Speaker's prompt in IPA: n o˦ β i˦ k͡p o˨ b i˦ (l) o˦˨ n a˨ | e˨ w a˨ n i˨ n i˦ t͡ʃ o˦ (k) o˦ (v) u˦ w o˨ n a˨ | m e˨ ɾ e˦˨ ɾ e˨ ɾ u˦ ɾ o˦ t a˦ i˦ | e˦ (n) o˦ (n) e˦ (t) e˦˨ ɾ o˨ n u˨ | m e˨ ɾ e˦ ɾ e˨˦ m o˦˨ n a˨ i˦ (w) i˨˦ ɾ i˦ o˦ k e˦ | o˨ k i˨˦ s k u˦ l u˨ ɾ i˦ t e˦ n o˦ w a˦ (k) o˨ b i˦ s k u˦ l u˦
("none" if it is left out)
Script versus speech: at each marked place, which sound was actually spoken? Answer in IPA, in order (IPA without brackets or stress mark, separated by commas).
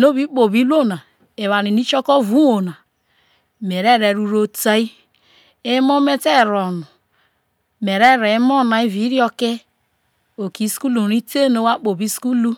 l, k, v, m, m, t, v, k͡p